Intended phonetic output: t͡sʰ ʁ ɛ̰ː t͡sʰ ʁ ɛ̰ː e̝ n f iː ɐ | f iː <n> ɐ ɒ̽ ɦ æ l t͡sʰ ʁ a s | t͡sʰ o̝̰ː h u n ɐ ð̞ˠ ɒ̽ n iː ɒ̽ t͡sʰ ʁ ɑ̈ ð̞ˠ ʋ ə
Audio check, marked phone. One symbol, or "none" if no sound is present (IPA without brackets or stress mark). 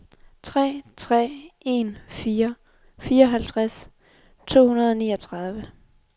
none